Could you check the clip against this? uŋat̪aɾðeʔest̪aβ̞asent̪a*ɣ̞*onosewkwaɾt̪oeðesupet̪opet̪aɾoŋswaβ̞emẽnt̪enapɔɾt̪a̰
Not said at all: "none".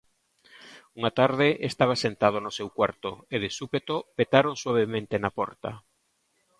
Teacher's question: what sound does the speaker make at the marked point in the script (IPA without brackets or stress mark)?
ð̞